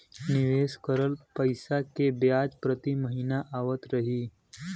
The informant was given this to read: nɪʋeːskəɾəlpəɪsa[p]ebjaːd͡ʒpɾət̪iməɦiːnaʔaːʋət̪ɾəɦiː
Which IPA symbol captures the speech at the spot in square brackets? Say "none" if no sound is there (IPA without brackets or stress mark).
k